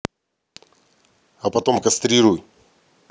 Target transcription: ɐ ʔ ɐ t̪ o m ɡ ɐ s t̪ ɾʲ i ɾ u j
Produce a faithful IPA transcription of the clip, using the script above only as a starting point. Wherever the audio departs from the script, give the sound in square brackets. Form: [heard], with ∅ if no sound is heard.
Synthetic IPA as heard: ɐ [p] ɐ t̪ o m [k] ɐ s t̪ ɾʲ i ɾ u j